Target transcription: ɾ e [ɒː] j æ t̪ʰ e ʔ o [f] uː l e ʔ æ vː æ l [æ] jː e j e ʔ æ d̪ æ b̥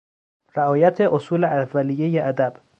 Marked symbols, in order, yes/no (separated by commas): yes, no, no